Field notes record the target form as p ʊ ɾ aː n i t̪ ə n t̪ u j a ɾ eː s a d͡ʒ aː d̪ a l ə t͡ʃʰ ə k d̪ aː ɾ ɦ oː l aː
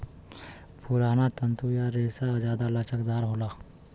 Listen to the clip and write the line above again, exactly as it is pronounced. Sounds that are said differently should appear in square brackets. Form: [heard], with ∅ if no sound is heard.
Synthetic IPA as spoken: p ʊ ɾ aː n [a] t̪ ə n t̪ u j a ɾ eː s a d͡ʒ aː d̪ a l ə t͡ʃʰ ə k d̪ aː ɾ ɦ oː l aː